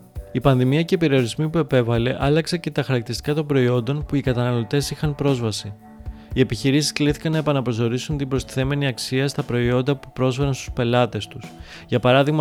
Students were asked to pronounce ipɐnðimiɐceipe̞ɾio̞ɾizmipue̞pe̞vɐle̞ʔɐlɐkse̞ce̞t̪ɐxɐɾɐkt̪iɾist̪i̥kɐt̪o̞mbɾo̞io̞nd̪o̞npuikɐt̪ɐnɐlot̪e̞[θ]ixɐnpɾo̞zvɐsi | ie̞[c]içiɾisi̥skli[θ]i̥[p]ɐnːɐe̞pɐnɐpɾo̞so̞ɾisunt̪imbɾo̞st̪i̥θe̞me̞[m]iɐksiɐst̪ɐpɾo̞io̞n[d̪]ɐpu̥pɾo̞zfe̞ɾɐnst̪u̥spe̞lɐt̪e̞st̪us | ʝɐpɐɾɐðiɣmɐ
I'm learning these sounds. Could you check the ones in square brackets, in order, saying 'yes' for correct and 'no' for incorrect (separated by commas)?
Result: no, no, yes, no, no, yes